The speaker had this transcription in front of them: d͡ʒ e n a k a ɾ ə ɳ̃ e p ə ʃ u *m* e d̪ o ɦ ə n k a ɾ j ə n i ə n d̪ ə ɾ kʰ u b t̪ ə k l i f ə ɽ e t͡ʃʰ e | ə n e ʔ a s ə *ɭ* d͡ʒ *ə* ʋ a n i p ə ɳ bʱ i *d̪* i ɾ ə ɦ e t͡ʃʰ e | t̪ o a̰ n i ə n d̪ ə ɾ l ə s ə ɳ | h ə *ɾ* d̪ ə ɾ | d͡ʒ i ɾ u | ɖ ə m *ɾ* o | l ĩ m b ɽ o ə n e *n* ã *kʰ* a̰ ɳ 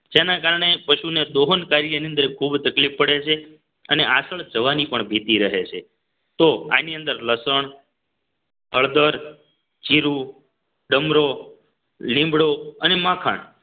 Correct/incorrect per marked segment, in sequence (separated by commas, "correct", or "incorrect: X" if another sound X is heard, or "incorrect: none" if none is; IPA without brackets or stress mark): incorrect: n, correct, correct, incorrect: t̪, incorrect: ɭ, correct, incorrect: m, correct